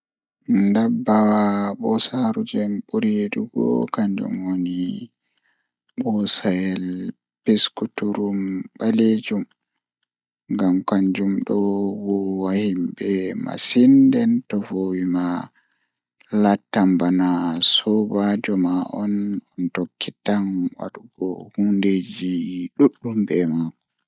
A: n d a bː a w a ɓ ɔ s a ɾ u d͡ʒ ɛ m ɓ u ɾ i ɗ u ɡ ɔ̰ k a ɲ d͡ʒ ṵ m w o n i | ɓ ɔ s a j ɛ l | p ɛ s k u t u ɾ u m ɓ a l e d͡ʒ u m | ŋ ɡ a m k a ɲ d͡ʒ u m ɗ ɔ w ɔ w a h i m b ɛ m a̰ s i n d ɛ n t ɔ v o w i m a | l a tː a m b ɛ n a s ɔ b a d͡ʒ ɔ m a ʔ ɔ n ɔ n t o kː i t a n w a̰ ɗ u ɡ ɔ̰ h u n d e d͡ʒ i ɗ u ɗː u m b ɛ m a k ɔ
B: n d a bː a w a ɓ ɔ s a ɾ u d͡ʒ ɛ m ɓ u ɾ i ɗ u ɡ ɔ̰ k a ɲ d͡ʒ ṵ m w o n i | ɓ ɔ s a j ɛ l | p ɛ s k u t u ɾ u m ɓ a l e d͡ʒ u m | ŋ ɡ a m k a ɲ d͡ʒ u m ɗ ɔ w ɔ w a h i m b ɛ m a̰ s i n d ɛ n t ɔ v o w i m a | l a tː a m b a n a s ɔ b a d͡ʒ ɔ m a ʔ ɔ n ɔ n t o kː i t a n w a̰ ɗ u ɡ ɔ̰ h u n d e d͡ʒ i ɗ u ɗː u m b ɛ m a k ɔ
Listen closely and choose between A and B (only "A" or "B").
B